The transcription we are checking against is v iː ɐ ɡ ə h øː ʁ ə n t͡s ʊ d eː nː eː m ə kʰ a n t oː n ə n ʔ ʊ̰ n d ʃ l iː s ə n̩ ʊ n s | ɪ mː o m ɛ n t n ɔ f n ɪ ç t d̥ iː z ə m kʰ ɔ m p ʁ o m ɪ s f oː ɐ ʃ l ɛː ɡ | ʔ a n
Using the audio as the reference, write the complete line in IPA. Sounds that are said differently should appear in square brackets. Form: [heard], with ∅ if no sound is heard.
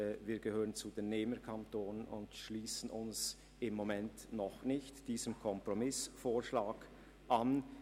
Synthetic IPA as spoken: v iː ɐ ɡ ə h øː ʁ ə n t͡s [u] d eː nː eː m ə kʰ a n t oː n ə n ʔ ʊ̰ n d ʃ l iː s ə n̩ ʊ n s | ɪ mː o m ɛ n t n ɔ [χ] n ɪ ç t d̥ iː z ə m kʰ ɔ m p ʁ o m ɪ s f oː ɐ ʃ l [aː] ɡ | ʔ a n